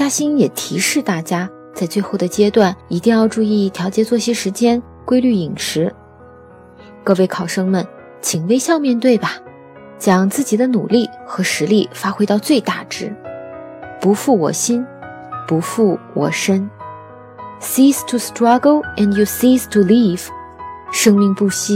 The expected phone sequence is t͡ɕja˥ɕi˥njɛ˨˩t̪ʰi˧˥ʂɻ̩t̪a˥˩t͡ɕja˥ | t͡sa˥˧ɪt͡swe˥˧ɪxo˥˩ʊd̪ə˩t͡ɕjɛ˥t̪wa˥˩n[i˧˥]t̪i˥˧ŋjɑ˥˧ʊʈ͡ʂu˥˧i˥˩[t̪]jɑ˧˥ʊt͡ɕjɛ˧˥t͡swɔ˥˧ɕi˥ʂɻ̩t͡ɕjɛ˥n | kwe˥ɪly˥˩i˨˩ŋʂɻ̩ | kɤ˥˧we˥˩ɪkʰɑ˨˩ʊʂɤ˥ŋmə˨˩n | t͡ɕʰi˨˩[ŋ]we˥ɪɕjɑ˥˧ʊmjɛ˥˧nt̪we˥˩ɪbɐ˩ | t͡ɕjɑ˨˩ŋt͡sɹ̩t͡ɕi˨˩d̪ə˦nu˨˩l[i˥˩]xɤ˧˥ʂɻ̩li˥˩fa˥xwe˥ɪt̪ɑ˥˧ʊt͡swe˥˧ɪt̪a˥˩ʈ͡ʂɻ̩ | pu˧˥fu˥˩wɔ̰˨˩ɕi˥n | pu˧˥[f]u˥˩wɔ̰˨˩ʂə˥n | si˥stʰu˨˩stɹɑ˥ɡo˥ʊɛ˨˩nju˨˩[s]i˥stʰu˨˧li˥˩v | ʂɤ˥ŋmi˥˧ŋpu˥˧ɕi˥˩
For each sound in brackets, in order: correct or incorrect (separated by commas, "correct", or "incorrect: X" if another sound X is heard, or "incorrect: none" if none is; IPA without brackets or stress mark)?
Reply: correct, incorrect: t̪ʰ, correct, correct, correct, correct